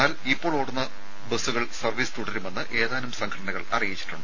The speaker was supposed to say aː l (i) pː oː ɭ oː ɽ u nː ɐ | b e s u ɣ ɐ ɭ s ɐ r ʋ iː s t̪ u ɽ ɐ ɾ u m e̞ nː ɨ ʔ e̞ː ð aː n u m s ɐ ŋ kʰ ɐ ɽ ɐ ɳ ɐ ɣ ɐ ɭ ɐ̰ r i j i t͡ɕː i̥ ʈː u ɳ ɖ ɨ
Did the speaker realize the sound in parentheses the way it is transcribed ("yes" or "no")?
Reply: yes